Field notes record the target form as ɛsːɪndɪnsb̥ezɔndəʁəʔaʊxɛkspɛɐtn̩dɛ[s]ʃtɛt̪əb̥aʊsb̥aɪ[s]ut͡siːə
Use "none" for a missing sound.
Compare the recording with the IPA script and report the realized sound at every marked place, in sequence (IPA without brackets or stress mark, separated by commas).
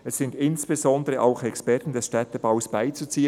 s, t͡s